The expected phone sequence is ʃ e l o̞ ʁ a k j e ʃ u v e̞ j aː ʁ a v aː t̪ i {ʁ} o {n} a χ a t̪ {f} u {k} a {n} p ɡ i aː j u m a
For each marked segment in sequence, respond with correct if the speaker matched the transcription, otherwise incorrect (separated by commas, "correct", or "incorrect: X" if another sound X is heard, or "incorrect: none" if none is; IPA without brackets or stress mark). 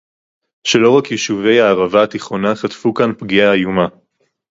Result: incorrect: χ, correct, correct, correct, correct